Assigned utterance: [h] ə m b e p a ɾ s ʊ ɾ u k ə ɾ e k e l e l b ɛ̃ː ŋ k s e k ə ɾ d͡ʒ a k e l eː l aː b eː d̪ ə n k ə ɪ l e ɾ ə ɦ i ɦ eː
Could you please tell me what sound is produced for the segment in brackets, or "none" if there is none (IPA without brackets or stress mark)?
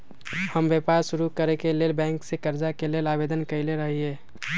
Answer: h